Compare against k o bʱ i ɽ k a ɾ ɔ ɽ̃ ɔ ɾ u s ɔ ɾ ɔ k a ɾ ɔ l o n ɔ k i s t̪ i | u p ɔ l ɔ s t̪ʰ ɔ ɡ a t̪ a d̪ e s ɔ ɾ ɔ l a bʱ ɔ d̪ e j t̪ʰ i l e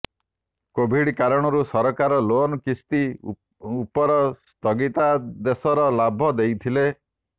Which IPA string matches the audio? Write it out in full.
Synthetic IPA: k o bʱ i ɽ k a ɾ ɔ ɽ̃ ɔ ɾ u s ɔ ɾ ɔ k a ɾ ɔ l o n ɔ k i s t̪ i | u p ɔ ɾ ɔ s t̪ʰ ɔ ɡ i t̪ a d̪ e s ɔ ɾ ɔ l a bʱ ɔ d̪ e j t̪ʰ i l e